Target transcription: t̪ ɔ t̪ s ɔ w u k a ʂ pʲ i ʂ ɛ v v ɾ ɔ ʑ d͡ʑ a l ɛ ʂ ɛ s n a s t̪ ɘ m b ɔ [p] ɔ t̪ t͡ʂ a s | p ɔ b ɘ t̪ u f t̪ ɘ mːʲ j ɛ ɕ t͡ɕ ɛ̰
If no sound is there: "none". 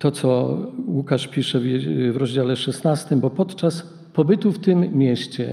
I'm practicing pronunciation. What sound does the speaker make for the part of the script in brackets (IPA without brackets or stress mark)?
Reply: p